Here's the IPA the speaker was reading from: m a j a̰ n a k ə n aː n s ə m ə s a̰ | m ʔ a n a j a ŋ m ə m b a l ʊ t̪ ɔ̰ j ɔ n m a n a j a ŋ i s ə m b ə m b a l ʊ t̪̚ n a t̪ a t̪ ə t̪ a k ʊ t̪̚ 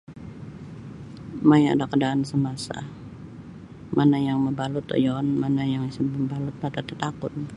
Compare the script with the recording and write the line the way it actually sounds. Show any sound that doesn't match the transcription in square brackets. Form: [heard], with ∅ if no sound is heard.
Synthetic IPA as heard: m a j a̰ [d] a k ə [d] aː n s ə m [a] s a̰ | m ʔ a n a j a ŋ m ə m b a l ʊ t̪ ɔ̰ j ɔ n m a n a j a ŋ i s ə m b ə m b a l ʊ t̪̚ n a t̪ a t̪ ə t̪ a k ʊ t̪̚